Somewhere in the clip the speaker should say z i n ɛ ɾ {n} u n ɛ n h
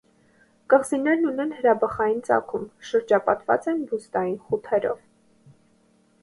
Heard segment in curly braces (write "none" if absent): n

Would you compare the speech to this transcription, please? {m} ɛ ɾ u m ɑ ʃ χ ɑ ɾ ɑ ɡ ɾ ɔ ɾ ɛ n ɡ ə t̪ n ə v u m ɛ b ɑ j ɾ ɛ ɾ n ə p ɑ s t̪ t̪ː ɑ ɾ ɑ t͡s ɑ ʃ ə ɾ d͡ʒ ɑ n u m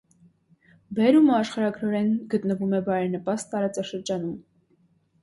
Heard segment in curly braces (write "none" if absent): b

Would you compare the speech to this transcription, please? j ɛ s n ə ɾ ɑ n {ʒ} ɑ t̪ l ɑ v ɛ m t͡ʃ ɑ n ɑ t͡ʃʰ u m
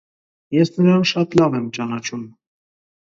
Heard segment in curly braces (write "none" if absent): ʃ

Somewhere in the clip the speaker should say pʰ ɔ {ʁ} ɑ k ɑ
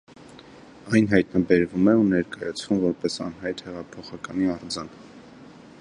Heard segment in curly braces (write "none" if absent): χ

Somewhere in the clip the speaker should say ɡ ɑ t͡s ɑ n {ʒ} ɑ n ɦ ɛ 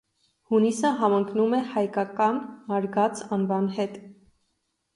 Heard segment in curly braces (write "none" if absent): v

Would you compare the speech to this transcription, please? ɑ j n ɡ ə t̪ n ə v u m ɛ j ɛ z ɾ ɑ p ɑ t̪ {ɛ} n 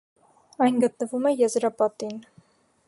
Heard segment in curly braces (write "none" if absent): i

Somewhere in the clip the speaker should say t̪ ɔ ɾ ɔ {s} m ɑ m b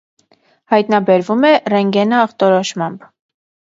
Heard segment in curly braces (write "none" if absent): ʃ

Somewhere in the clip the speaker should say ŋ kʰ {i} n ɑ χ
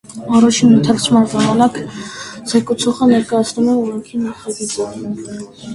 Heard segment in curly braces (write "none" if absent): i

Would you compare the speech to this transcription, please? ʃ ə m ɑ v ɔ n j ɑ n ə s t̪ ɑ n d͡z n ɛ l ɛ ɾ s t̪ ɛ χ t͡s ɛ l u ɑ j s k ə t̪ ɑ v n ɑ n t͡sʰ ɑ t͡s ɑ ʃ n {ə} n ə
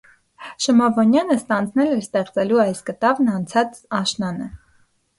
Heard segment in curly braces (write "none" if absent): ɑ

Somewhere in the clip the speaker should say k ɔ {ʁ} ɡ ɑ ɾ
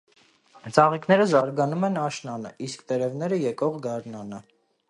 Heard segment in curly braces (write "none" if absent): ʁ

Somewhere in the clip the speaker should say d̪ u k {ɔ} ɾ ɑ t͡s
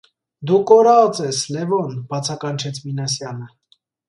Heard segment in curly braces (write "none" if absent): ɔ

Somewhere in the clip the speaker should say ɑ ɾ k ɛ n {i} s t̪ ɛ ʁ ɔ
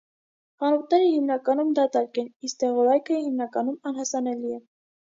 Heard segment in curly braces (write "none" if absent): i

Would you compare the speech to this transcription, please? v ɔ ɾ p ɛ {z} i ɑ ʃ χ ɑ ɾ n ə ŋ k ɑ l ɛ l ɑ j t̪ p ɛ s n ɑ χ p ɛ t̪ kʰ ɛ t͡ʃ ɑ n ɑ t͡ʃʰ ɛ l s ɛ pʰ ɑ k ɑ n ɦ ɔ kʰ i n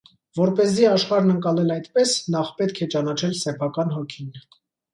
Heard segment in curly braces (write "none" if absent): z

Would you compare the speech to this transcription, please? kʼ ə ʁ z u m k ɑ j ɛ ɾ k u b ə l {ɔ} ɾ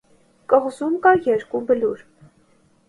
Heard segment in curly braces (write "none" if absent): u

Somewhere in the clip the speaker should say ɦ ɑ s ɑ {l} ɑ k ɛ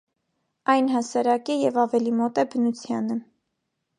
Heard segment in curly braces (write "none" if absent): ɾ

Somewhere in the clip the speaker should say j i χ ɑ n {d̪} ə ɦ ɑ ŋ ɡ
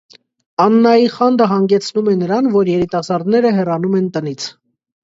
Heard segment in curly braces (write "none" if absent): d̪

